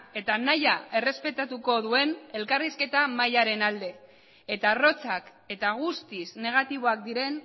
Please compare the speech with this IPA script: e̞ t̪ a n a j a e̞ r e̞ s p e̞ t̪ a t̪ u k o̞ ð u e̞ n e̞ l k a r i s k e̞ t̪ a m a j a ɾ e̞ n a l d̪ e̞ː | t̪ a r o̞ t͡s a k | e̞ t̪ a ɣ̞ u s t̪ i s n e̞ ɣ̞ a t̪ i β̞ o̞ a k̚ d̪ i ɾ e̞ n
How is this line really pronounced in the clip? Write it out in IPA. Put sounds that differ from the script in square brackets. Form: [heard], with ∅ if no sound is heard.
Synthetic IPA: e̞ t̪ a n a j a e̞ r e̞ s p e̞ t̪ a t̪ u k o̞ ð u e̞ n e̞ l k a r i s k e̞ t̪ a m a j a ɾ e̞ n a l d̪ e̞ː | t̪ a r o̞ t͡s a k | e̞ t̪ a ɣ̞ u s t̪ i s n e̞ ɣ̞ a t̪ i β̞ o̞ a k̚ d̪ i ɾ e̞ n